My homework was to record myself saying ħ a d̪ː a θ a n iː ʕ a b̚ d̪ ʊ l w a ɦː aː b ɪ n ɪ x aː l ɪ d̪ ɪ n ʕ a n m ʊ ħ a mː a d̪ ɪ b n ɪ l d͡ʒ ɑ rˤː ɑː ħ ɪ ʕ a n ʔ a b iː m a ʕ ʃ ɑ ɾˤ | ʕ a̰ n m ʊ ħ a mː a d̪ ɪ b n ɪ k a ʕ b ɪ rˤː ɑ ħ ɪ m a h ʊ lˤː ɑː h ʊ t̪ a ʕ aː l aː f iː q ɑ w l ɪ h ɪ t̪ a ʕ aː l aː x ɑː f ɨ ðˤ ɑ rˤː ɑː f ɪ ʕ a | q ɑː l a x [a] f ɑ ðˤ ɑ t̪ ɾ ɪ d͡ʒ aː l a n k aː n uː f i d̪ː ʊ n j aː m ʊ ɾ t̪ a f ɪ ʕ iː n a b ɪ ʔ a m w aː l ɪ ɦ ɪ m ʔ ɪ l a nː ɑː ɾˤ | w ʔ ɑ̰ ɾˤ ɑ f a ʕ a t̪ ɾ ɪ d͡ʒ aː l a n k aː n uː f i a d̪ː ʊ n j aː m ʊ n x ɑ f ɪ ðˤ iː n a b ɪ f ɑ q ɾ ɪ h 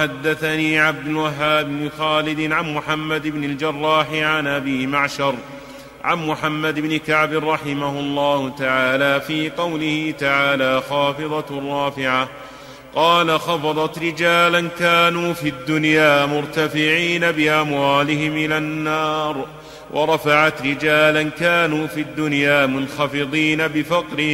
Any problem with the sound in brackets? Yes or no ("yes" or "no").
yes